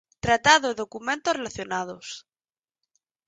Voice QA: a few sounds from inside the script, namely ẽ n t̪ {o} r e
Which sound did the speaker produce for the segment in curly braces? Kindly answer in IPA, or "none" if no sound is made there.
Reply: o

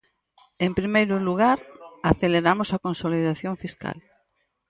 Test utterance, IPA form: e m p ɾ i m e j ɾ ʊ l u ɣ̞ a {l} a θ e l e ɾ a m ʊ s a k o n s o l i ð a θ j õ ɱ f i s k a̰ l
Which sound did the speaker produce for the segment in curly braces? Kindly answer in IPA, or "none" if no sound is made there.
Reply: ɾ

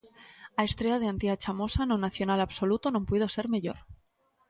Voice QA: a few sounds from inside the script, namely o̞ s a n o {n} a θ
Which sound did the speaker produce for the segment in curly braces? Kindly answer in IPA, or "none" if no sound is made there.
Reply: n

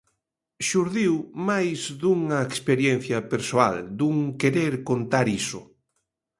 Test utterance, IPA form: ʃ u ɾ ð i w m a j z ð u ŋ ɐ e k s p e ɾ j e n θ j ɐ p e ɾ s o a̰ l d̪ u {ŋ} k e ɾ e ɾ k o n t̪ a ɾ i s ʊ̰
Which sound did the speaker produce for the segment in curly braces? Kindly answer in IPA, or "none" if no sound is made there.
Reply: ŋ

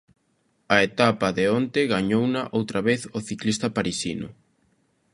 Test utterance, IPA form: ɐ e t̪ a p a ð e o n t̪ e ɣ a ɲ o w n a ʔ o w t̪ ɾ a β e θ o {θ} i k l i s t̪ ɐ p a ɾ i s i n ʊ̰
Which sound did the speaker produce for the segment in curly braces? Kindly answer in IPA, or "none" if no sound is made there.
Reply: θ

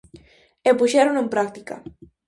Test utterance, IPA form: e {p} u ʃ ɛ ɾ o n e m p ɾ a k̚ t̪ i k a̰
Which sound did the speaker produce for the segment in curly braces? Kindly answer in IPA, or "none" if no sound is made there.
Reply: p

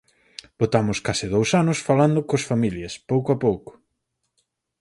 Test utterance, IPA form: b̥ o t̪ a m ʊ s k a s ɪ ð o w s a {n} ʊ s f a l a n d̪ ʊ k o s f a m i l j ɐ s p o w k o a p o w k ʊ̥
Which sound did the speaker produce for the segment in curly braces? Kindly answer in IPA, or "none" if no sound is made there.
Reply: n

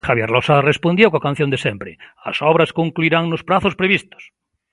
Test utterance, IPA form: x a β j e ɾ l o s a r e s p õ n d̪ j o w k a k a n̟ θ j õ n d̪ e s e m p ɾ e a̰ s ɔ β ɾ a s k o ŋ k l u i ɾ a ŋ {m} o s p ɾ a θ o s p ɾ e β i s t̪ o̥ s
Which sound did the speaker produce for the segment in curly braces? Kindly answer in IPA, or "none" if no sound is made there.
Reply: n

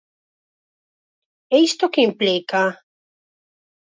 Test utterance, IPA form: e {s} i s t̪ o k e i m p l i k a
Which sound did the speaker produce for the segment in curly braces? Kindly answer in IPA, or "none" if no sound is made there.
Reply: none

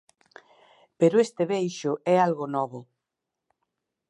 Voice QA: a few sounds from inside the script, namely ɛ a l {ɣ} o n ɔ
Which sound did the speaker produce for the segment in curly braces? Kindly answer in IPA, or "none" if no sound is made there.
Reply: ɣ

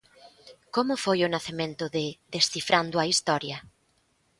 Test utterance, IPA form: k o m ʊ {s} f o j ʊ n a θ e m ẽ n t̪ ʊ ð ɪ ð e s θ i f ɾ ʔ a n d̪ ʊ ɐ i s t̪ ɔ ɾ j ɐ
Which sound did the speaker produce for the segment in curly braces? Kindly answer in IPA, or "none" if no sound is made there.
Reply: none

